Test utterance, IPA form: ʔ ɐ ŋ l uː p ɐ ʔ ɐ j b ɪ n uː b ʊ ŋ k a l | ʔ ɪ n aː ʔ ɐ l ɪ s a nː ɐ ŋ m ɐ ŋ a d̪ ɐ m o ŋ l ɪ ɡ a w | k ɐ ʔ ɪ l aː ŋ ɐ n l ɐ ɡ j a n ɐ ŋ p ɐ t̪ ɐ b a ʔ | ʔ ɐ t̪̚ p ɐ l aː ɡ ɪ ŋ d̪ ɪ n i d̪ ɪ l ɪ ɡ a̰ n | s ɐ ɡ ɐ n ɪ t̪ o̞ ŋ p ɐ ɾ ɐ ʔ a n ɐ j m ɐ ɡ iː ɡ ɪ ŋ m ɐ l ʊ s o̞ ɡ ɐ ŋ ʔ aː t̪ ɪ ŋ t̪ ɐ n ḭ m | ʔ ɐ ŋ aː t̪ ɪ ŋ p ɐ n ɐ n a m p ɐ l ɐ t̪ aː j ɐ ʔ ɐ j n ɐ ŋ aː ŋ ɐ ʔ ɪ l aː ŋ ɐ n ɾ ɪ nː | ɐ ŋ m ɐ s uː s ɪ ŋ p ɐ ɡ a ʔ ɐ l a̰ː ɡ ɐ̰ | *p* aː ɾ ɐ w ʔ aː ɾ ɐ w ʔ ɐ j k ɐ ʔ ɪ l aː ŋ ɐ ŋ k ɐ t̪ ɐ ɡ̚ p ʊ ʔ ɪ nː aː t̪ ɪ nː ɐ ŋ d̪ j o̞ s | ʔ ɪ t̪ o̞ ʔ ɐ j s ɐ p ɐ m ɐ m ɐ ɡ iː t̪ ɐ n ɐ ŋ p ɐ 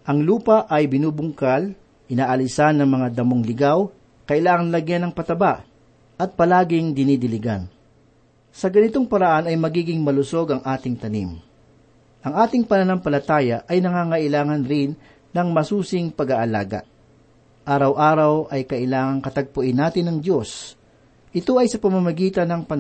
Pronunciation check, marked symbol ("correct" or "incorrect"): incorrect